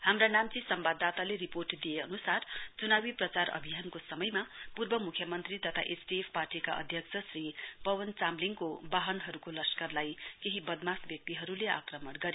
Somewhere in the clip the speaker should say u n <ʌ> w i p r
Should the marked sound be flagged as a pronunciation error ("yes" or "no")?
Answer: yes